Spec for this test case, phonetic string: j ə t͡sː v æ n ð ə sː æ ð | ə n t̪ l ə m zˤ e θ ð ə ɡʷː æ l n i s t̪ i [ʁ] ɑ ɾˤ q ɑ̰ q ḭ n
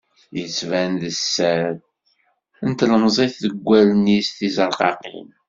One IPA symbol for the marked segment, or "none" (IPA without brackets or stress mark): z